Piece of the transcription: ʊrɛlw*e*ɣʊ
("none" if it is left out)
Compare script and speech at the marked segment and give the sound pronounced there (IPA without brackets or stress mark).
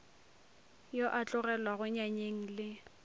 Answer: a